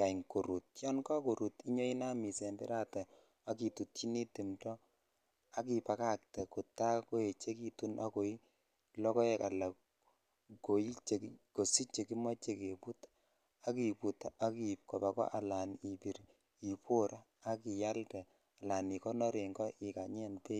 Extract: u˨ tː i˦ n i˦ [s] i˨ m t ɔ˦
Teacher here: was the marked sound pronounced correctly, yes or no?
no